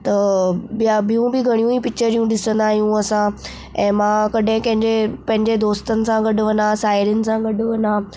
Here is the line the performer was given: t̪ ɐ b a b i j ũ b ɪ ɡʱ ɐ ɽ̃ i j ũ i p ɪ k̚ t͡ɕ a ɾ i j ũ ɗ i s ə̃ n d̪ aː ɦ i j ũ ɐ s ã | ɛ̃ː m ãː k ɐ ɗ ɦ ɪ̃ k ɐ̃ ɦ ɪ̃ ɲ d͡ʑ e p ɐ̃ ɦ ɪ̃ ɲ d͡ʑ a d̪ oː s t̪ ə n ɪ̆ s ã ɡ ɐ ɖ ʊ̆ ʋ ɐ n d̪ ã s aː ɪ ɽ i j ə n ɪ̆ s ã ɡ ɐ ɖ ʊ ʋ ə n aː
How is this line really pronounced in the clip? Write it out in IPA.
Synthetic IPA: t̪ ɐ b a b i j ũ b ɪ ɡʱ ɐ ɽ̃ i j ũ i p ɪ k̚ t͡ɕ ə ɾ i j ũ ɗ ɪ s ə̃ n d̪ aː ɦ i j ũ ɐ s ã | ɛ̃ː m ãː k ɐ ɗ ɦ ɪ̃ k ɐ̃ ɦ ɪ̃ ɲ d͡ʑ e p ɐ̃ ɦ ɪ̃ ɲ d͡ʑ e d̪ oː s t̪ ə n ɪ̆ s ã ɡ ɐ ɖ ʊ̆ ʋ ɐ n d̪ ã s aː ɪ ɾ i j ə n ɪ̆ s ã ɡ ɐ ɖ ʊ ʋ ɐ n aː